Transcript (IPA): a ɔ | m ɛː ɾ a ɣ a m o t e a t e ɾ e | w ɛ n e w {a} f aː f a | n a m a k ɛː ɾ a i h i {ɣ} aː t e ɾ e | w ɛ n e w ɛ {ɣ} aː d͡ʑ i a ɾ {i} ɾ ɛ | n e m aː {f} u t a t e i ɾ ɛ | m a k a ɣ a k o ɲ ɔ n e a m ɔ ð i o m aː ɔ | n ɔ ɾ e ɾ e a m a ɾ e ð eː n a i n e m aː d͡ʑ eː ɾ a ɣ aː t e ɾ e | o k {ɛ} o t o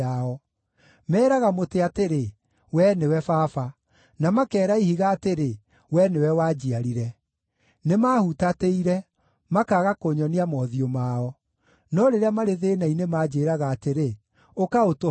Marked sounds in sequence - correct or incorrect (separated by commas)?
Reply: incorrect, correct, incorrect, correct, incorrect, incorrect